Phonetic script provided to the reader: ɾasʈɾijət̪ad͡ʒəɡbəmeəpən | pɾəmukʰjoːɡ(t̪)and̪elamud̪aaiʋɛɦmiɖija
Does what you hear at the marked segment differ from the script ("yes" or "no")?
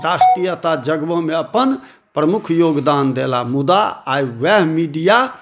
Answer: yes